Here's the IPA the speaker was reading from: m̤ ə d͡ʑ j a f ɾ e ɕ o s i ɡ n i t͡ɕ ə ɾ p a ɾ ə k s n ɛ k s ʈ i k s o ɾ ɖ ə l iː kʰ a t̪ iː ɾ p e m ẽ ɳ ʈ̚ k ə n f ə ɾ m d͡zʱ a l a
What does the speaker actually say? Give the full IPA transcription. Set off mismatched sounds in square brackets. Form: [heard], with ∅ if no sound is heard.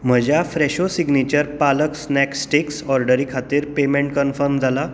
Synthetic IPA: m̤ ə d͡ʑ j a f ɾ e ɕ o s i ɡ n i t͡ɕ ə ɾ p a [l] ə k s n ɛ k s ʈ i k s [ɔ] ɾ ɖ ə [ɾ] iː kʰ a t̪ iː ɾ p e m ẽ ɳ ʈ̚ k ə n f ə ɾ m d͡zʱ a l a